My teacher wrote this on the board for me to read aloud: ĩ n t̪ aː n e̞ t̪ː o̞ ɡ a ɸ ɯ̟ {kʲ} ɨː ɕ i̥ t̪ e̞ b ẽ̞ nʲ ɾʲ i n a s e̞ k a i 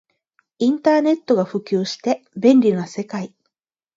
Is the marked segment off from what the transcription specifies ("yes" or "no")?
no